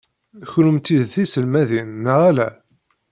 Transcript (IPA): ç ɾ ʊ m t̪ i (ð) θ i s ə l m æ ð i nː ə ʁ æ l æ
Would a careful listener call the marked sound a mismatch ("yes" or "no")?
no